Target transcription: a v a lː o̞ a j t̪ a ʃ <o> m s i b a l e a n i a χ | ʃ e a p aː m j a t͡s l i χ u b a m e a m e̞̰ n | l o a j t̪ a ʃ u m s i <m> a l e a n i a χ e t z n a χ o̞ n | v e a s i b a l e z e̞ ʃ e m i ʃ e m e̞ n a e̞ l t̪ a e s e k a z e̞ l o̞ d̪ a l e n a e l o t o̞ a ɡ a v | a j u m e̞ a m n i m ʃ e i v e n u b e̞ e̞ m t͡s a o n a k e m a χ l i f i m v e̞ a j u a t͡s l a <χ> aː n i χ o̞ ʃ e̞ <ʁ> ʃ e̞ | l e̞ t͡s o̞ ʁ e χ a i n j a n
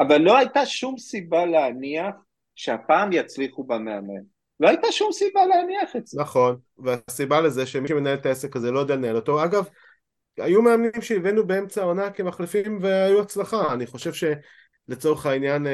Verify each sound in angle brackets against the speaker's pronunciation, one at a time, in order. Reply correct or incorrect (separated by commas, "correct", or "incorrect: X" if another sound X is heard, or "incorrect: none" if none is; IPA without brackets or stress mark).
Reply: incorrect: u, incorrect: b, correct, incorrect: v